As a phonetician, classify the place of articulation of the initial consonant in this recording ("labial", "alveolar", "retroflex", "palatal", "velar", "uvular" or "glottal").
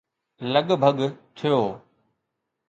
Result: alveolar